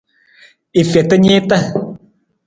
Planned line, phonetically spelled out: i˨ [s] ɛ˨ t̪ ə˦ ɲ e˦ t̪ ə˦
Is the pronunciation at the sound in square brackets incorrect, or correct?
incorrect